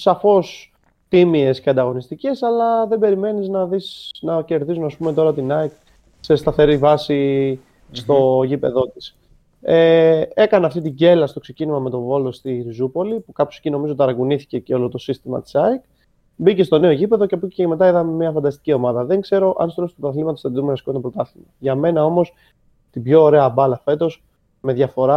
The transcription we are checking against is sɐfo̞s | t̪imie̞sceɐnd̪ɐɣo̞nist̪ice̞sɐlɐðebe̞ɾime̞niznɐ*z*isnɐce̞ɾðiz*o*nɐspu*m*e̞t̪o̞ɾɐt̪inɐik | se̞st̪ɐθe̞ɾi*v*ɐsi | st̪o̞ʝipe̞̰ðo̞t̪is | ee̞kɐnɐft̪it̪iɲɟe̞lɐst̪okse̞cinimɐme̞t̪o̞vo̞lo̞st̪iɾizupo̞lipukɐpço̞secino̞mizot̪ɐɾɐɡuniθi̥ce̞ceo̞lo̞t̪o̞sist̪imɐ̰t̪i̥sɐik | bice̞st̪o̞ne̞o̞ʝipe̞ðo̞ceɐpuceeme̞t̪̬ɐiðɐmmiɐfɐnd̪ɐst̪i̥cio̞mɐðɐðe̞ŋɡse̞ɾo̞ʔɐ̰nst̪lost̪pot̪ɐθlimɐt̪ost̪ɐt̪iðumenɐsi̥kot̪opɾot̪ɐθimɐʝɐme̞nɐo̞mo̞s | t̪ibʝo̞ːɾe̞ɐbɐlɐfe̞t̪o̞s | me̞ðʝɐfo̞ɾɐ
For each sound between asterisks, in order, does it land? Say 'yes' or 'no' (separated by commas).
no, no, yes, yes